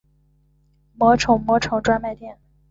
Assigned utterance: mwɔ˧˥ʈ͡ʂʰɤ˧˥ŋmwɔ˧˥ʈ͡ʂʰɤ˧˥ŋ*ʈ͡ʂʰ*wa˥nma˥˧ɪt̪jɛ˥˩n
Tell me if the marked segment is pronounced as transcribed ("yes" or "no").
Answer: no